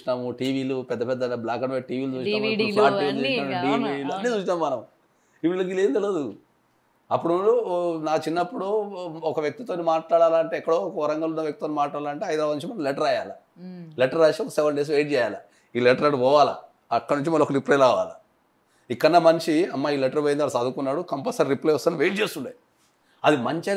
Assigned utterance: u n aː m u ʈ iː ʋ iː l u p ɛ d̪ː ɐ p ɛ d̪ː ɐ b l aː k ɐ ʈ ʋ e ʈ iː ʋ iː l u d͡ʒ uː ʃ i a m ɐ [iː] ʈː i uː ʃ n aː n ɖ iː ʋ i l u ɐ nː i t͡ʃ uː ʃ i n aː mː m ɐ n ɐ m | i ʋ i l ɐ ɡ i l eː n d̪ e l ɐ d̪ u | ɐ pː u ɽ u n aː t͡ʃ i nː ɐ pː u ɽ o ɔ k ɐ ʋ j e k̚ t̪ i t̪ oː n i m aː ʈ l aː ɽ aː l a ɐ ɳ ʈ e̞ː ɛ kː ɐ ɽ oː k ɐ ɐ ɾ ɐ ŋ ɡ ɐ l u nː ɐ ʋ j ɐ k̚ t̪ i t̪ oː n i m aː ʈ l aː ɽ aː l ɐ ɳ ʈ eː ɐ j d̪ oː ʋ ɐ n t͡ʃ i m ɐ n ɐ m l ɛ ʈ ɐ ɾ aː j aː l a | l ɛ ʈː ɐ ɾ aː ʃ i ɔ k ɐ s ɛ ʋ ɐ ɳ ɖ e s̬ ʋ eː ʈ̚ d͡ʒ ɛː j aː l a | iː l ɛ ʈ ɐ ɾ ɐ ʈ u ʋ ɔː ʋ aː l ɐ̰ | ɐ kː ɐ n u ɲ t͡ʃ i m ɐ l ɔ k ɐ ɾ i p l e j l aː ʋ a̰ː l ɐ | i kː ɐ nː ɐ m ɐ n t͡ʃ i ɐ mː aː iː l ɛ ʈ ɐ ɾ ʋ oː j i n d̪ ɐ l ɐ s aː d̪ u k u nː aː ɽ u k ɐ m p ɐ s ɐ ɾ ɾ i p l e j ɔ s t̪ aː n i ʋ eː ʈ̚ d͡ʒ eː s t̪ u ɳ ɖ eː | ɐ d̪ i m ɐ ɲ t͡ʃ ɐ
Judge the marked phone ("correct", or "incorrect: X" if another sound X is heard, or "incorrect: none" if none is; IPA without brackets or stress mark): incorrect: aː